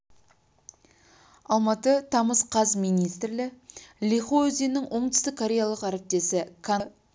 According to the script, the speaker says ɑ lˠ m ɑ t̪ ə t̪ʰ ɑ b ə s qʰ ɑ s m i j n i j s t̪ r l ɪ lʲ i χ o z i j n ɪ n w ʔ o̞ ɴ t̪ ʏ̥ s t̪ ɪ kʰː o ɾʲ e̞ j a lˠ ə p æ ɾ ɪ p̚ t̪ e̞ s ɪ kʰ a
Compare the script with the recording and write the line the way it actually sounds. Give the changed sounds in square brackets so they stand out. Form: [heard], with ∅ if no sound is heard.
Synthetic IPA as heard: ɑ lˠ m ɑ t̪ ə t̪ʰ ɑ [m] ə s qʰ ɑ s m i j n i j s t̪ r l ɪ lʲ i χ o z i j n ɪ [ŋ] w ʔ o̞ ɴ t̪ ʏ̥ s t̪ ɪ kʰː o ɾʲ e̞ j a lˠ ə [q] æ ɾ ɪ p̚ t̪ e̞ s ɪ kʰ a